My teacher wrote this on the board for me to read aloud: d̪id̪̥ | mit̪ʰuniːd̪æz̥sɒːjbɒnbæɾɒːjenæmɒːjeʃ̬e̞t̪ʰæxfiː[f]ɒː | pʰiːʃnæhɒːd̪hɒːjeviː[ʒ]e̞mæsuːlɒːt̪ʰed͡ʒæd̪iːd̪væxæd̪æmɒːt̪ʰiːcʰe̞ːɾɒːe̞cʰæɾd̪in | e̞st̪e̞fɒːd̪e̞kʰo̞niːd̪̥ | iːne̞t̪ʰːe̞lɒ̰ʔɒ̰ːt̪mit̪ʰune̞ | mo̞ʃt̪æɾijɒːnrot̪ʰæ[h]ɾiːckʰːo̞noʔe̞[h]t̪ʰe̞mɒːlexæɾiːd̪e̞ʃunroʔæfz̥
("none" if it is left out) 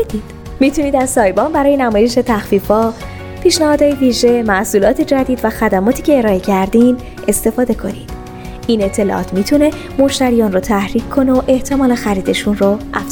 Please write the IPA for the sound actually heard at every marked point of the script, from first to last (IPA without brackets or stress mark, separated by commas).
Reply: f, ʒ, h, h